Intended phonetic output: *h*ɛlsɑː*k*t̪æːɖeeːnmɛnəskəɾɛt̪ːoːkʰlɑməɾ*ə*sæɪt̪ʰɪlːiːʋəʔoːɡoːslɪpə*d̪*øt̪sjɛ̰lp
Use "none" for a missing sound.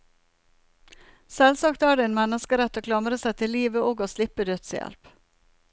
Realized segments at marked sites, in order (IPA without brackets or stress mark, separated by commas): s, k, ə, d̪